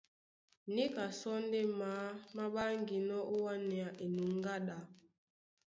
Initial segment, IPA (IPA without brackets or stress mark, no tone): n